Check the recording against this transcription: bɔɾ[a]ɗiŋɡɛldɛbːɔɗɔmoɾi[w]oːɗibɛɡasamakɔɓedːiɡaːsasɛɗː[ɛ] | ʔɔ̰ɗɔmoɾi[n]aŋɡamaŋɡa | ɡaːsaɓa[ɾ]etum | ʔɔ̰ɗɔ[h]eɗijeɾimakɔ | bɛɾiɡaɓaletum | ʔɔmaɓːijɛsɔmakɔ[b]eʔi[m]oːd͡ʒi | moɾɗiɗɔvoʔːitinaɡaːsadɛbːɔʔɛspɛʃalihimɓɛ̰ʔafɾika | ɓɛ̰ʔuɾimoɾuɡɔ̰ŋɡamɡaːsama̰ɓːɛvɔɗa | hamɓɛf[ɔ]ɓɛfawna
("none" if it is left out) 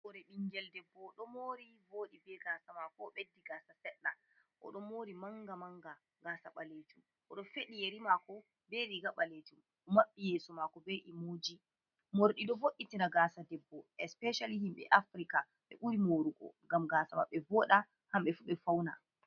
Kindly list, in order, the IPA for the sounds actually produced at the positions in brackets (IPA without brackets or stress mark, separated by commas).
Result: ɛ, v, a, m, l, f, b, m, u